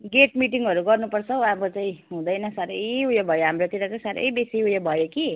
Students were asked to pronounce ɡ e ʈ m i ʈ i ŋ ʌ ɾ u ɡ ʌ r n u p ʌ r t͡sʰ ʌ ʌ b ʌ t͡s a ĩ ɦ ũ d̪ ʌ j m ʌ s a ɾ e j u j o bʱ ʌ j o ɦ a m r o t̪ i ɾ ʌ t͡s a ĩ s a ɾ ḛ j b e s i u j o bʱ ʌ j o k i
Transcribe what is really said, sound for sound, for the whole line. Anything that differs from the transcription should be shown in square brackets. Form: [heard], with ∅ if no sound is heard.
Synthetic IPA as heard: ɡ e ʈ m i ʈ i ŋ ʌ ɾ u ɡ ʌ r n u p ʌ r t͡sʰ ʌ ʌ b ʌ t͡s a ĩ ɦ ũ d̪ ʌ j [n] ʌ s a ɾ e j u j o bʱ ʌ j o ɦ a m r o t̪ i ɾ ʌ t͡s a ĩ s a ɾ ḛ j b e s i u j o bʱ ʌ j o k i